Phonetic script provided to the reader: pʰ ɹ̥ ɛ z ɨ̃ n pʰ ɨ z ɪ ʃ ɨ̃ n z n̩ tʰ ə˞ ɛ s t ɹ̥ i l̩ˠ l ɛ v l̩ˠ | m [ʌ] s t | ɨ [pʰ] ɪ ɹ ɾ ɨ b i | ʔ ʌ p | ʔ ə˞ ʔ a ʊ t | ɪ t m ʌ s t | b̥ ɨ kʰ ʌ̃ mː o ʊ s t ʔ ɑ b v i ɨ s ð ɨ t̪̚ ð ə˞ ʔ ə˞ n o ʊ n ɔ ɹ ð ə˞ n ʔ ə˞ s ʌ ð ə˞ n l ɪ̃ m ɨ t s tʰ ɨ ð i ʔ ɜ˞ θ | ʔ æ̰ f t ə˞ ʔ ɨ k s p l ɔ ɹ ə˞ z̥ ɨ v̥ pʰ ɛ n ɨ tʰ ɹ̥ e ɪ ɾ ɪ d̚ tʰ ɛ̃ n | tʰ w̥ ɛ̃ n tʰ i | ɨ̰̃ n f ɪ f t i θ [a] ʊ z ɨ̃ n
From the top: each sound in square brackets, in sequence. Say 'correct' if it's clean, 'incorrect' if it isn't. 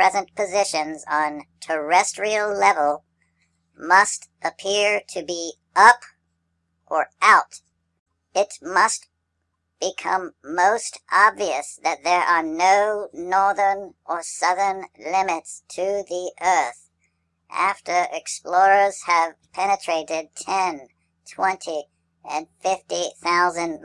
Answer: correct, correct, correct

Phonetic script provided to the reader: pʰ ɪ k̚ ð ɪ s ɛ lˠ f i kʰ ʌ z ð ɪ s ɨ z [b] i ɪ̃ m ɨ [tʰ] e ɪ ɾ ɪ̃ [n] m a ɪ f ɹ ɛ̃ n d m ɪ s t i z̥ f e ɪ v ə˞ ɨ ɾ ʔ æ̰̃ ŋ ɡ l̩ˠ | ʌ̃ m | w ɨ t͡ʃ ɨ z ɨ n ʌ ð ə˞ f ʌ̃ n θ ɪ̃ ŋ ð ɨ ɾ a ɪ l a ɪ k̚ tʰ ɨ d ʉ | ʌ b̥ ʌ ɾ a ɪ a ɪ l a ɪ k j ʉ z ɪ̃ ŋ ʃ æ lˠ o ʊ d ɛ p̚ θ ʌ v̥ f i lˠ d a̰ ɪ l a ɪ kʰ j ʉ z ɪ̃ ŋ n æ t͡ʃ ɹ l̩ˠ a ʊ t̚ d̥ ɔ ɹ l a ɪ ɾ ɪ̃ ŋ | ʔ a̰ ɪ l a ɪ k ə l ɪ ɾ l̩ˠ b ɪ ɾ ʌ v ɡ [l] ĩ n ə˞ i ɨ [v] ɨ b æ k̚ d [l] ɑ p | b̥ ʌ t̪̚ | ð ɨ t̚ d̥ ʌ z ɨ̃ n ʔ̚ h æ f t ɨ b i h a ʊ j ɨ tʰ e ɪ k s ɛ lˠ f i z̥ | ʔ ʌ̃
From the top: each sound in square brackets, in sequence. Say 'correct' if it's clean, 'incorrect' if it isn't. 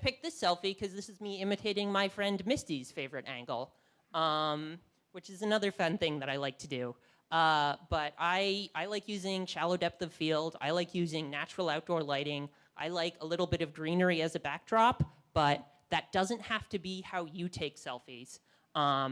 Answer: incorrect: m, correct, incorrect: ŋ, incorrect: ɹ, incorrect: z, incorrect: ɹ

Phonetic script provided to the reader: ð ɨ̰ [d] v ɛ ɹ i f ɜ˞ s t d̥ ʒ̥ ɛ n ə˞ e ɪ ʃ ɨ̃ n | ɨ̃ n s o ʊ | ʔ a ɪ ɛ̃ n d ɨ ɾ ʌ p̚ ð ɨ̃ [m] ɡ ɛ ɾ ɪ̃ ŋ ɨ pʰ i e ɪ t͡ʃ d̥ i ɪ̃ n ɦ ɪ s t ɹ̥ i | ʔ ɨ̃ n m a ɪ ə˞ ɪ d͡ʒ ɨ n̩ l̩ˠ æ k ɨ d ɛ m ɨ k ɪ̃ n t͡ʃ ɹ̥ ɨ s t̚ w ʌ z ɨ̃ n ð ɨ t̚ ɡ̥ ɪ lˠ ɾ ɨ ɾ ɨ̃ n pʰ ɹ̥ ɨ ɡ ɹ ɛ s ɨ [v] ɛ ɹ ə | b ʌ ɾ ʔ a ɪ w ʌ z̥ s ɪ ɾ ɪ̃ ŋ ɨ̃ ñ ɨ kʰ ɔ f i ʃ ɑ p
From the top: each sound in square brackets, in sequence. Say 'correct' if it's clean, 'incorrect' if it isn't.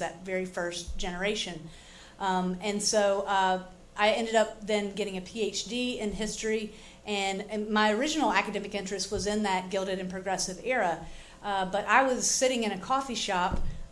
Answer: incorrect: t, incorrect: n, correct

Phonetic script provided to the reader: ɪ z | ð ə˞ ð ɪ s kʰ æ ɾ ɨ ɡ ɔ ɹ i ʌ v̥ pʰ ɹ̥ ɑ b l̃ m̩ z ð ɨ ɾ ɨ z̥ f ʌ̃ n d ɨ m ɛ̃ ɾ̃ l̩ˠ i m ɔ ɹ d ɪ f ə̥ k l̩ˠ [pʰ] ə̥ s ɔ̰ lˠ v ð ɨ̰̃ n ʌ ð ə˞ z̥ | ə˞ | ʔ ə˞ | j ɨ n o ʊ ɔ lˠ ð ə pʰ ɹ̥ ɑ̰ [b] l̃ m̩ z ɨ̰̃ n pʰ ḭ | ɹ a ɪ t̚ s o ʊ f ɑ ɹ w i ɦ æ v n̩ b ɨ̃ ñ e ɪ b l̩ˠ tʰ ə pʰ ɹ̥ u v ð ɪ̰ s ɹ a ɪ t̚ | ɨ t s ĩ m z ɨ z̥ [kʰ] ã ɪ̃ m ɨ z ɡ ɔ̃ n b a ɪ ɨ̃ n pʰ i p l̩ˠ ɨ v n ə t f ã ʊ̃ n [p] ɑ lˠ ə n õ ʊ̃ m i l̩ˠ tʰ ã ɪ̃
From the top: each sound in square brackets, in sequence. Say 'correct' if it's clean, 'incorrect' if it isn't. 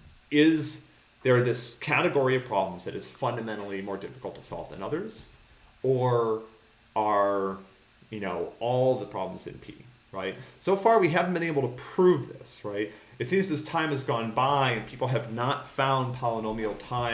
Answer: incorrect: tʰ, correct, incorrect: tʰ, incorrect: pʰ

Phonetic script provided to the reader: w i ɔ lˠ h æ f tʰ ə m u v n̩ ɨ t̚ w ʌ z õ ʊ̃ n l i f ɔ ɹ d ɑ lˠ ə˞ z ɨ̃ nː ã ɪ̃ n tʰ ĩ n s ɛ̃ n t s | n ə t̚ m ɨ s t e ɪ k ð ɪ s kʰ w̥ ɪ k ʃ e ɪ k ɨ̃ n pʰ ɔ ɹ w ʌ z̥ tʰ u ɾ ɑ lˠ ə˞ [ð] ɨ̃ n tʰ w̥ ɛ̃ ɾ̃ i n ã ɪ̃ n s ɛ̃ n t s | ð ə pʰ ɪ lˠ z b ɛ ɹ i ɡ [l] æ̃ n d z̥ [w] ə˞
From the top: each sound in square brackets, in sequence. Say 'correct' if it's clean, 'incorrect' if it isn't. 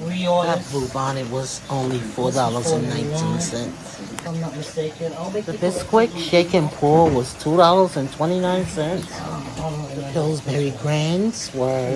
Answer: incorrect: z, incorrect: ɹ, correct

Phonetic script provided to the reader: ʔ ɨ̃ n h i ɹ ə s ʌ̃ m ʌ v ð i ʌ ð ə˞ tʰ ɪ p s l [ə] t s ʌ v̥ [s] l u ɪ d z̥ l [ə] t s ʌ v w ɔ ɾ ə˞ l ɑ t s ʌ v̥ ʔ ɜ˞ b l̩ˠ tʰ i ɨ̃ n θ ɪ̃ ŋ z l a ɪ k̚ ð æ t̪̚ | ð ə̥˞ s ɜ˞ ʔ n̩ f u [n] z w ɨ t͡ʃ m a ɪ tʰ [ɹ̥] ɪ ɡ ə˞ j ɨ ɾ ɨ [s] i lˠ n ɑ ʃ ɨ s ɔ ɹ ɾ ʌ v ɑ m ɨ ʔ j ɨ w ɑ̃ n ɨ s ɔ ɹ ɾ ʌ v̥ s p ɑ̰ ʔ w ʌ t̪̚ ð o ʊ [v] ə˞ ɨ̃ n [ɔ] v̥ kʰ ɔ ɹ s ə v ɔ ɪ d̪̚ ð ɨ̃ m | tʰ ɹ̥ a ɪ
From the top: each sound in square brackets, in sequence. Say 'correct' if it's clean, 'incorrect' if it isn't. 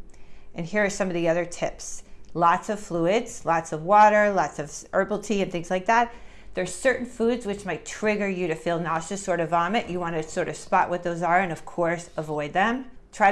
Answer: incorrect: ɑ, incorrect: f, incorrect: ɑ, incorrect: d, correct, incorrect: f, incorrect: z, incorrect: ʌ

